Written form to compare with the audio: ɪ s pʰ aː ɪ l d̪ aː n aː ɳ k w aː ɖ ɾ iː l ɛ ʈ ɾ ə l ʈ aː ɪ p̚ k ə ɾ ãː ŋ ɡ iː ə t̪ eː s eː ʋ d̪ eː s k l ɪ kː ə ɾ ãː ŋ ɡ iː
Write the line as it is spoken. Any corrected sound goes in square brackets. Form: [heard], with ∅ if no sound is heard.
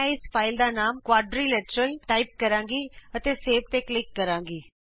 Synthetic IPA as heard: ɪ s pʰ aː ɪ l d̪ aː n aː [m] k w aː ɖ ɾ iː l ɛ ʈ ɾ ə l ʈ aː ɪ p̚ k ə ɾ ãː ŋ ɡ iː ə t̪ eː s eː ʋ [t̪] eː [∅] k l ɪ kː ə ɾ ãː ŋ ɡ iː